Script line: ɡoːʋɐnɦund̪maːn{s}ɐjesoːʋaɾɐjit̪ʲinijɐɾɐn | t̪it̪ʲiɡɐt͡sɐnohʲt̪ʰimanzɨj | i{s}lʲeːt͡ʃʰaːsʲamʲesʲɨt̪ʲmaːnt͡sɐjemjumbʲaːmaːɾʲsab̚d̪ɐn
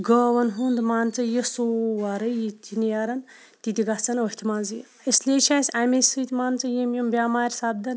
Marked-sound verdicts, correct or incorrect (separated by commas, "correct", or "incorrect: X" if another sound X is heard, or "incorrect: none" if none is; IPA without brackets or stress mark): incorrect: t͡s, correct